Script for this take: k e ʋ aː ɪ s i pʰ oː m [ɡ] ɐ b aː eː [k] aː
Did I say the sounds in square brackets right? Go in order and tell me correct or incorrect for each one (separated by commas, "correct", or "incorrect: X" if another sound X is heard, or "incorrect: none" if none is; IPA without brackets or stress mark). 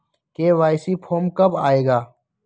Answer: incorrect: k, incorrect: ɡ